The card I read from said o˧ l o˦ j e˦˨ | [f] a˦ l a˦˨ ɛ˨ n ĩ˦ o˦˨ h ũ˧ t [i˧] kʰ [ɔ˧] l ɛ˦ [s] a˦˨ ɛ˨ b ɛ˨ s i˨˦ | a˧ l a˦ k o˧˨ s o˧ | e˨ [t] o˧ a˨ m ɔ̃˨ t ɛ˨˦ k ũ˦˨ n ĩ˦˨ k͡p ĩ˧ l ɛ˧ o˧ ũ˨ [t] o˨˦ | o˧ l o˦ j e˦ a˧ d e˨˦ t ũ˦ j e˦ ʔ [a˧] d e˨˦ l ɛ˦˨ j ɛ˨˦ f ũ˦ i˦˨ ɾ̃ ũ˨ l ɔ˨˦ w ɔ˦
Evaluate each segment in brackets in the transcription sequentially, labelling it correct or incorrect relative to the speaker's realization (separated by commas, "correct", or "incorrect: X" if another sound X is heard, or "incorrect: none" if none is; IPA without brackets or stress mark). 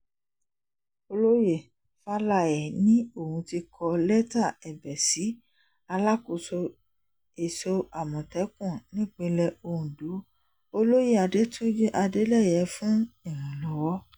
correct, correct, correct, incorrect: t, incorrect: s, incorrect: d, correct